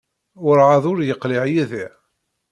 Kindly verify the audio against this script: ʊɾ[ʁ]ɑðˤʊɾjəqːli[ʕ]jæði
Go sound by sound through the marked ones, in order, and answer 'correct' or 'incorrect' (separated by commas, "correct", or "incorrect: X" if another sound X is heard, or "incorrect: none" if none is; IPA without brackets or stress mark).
incorrect: ʕ, correct